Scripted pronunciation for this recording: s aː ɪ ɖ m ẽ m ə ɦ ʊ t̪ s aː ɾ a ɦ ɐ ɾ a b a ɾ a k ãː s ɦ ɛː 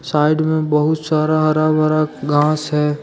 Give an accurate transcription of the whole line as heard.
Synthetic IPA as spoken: s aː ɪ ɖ m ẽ b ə ɦ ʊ t̪ s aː ɾ a ɦ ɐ ɾ a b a ɾ a ɡ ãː s ɦ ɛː